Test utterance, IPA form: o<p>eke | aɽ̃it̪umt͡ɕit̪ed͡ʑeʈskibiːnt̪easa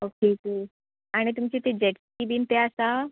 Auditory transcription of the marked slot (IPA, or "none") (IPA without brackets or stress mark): k